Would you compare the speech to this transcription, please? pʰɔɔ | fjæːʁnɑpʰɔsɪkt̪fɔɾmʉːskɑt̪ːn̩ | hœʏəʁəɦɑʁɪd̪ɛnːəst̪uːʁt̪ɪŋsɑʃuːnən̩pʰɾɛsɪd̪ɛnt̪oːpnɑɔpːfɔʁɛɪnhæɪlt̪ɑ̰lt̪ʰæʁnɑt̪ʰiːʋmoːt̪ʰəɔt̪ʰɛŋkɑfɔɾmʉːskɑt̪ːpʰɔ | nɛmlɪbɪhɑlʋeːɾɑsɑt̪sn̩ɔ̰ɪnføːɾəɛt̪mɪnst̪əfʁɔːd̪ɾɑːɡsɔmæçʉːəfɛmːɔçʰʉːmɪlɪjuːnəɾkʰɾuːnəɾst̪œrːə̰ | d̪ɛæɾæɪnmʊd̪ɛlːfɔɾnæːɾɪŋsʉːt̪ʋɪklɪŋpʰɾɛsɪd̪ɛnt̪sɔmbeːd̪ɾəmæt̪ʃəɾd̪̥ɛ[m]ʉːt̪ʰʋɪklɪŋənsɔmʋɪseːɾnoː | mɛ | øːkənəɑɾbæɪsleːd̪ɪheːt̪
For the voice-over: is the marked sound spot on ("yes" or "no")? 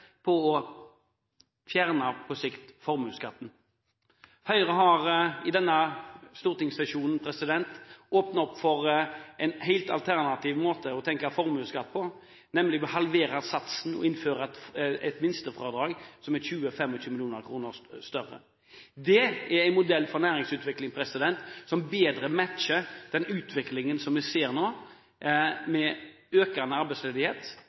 no